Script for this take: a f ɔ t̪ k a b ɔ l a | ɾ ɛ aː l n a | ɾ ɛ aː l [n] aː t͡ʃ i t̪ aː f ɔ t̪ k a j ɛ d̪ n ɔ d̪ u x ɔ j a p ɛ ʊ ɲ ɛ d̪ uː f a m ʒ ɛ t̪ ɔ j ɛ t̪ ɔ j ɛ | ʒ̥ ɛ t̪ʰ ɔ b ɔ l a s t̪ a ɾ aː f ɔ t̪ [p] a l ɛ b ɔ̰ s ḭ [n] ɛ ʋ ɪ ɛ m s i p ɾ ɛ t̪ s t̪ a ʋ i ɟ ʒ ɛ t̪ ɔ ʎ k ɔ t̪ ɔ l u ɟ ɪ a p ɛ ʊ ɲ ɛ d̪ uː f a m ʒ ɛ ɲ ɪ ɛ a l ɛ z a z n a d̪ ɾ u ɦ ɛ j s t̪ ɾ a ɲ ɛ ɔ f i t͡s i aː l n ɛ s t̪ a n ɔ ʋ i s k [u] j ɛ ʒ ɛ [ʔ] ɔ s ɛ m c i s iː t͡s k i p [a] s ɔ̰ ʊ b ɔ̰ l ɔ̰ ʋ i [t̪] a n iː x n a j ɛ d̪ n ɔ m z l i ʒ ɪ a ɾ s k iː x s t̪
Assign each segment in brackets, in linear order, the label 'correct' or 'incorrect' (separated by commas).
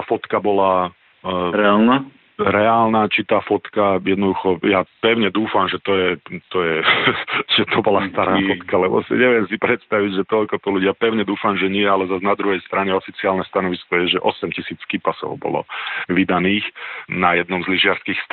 correct, incorrect, incorrect, incorrect, correct, correct, incorrect